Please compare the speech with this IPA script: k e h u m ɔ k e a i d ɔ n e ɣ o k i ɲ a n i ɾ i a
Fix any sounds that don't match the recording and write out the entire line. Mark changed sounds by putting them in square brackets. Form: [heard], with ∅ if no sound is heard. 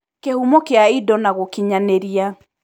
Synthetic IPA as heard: k e h u m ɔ k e a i d ɔ n [a] ɣ o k i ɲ a n [e] ɾ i a